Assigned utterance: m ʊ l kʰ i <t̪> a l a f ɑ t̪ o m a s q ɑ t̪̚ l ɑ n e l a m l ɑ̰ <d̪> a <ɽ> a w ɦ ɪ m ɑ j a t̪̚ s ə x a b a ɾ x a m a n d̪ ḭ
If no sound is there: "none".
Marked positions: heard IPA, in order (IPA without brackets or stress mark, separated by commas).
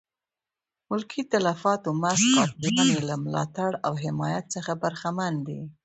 t̪, t̪, ɽ